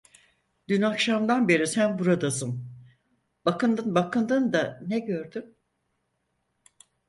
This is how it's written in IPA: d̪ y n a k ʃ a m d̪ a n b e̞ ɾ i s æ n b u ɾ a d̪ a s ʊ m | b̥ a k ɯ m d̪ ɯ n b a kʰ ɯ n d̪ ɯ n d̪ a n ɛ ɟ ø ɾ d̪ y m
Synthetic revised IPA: d̪ y n a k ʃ a m d̪ a n b e̞ ɾ i s æ n b u ɾ a d̪ a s ɯ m | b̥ a k ɯ n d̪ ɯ n b a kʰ ɯ n d̪ ɯ n d̪ a n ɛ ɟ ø ɾ d̪ y m

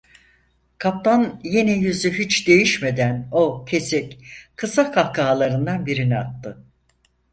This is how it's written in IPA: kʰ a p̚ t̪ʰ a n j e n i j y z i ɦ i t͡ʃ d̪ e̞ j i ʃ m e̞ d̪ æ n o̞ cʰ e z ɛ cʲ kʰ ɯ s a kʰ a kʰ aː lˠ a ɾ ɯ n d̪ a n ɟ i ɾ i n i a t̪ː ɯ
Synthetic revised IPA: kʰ a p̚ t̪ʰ a n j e n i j y z y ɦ i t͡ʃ d̪ e̞ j i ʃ m e̞ d̪ æ n o̞ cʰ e s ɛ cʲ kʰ ɯ s a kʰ a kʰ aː lˠ a ɾ ɯ n d̪ a n b i ɾ i n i a t̪ː ɯ

